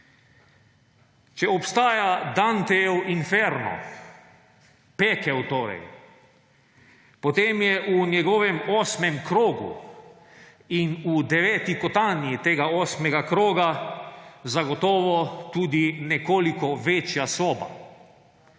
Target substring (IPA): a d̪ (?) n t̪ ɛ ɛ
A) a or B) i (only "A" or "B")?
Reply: A